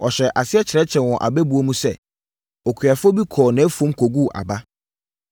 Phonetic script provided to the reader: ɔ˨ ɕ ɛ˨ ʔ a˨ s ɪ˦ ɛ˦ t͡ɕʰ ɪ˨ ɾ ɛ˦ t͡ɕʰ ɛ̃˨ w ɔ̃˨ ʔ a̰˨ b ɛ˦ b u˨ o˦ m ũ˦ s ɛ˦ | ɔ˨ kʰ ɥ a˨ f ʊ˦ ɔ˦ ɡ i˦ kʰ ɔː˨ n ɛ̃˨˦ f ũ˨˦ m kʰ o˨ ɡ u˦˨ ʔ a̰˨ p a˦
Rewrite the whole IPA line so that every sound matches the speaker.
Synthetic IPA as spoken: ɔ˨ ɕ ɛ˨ ʔ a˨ s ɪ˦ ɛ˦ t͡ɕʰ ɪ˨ ɾ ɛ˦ t͡ɕʰ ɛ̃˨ w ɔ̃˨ ʔ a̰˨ b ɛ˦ b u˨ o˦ m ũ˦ s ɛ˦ | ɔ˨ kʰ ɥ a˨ f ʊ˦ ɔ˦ b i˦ kʰ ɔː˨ n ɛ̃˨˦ f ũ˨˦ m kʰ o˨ ɡ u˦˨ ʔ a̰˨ b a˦